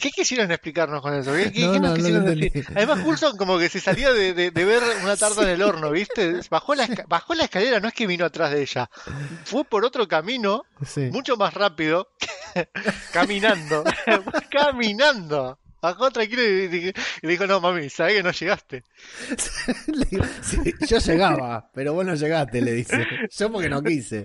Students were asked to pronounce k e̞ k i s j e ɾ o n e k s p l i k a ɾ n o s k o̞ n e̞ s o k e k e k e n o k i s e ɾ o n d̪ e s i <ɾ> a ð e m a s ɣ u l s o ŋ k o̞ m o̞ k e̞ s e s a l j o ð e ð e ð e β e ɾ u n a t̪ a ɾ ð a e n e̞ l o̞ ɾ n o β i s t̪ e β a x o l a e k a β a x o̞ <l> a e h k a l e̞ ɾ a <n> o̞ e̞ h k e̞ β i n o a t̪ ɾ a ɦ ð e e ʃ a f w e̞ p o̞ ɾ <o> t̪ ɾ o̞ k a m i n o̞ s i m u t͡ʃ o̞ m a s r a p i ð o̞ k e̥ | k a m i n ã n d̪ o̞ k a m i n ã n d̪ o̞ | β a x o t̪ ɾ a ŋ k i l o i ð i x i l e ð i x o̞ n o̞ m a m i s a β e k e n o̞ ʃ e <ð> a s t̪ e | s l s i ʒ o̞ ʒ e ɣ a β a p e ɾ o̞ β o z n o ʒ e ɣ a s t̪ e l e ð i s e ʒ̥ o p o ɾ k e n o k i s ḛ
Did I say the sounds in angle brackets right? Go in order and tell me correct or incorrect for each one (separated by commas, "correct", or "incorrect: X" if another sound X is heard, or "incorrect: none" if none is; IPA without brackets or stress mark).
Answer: correct, correct, correct, correct, incorrect: ɣ